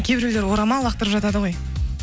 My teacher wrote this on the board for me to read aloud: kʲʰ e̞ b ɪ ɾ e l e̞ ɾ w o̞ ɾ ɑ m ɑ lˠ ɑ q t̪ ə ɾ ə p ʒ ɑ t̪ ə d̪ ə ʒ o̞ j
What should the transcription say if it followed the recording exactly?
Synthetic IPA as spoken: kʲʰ e̞ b ɪ ɾ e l e̞ ɾ w o̞ ɾ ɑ m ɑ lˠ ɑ q t̪ ə ɾ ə p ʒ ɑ t̪ ɑ d̪ ə ʁ o̞ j